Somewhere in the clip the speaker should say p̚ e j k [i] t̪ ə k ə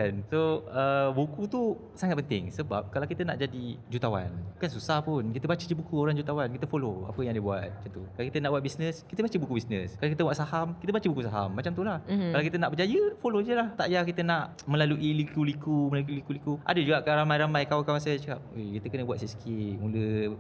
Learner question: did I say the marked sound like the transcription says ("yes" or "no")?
yes